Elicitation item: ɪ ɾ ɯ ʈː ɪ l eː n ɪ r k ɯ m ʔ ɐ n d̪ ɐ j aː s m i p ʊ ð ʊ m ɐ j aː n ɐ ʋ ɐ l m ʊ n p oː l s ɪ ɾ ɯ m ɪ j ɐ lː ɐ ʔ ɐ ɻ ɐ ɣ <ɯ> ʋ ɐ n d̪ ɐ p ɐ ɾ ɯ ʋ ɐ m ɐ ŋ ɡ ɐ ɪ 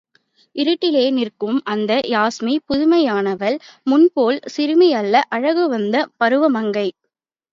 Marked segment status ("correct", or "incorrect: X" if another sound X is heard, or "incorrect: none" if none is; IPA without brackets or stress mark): correct